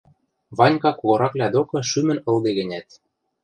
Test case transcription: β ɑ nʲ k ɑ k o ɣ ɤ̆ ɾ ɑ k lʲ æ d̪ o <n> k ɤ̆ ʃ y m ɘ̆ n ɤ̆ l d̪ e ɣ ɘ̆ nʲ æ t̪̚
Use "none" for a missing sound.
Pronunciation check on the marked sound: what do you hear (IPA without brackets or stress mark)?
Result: none